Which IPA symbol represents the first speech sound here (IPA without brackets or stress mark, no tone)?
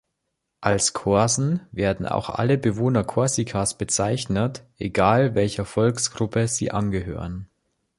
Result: ʔ